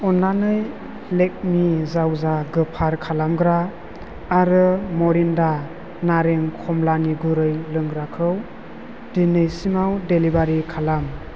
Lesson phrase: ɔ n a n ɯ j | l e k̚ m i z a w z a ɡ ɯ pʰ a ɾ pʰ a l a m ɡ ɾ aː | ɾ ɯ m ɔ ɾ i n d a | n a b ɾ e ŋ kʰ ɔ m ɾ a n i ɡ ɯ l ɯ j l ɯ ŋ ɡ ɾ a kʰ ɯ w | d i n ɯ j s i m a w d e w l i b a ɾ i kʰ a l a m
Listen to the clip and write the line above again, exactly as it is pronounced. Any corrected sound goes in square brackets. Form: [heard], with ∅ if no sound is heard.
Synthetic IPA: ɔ n a n ɯ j | l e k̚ m i z a w z a ɡ ɯ pʰ a ɾ [kʰ] a l a m ɡ ɾ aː | ɾ ɯ m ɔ ɾ i n d a | n a [∅] ɾ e ŋ kʰ ɔ m [l] a n i ɡ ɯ [ɾ] ɯ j l ɯ ŋ ɡ ɾ a kʰ ɯ w | d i n ɯ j s i m a w d e [∅] l i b a ɾ i kʰ a l a m